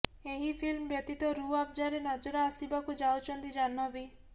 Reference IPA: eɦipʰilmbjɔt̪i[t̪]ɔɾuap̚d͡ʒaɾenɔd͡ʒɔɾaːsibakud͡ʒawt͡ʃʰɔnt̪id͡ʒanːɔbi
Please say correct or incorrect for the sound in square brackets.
correct